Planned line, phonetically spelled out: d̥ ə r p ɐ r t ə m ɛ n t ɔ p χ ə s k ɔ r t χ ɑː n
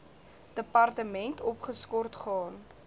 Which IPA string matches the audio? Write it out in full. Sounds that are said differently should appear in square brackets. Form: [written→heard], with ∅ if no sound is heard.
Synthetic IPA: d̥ ə [r→∅] p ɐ r t ə m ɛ n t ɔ p χ ə s k ɔ r t χ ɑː n